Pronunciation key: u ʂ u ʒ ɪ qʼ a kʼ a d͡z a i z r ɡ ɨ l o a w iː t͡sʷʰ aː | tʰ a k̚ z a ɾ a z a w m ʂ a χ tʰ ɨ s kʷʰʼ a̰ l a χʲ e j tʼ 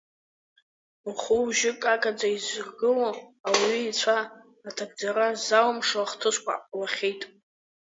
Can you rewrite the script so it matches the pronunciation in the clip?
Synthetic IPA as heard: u χ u ʒ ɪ kʼ a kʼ a d͡z a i z r ɡ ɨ l o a w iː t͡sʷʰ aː | tʰ a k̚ d͡z a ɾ a z a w m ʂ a χ tʰ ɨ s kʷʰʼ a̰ l a χʲ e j tʼ